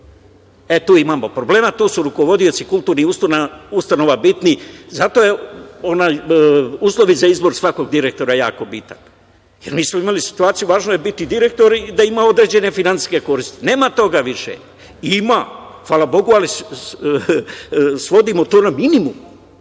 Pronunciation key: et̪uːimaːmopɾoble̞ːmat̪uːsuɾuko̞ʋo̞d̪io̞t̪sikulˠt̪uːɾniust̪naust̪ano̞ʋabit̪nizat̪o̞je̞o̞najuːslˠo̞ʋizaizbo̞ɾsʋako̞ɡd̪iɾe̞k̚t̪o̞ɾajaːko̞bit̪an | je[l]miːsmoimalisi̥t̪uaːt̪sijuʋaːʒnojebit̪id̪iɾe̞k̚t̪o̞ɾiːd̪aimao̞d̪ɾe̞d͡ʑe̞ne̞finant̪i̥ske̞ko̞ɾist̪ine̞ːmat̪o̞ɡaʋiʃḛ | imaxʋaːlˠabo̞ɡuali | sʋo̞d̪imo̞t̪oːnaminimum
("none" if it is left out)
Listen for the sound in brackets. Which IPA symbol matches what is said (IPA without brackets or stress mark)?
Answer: ɾ